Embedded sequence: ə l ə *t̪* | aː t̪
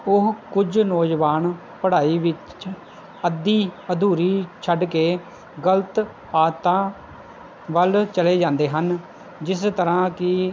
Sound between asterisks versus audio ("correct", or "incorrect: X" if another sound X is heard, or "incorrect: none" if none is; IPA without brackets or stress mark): correct